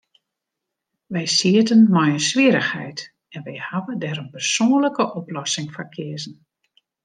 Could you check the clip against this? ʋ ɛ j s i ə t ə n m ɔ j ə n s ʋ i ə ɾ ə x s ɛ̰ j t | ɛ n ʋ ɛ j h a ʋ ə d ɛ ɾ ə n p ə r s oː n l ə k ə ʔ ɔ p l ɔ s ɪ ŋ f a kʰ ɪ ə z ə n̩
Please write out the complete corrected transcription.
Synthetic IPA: ʋ ɛ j s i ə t ə n m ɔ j ə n s ʋ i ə ɾ ə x h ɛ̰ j t | ɛ n ʋ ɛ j h a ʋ ə d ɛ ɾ ə n p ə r s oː n l ə k ə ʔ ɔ p l ɔ s ɪ ŋ f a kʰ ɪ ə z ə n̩